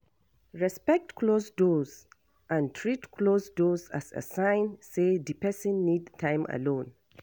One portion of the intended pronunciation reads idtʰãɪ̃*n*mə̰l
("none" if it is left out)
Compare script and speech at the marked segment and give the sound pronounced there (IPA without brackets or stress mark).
none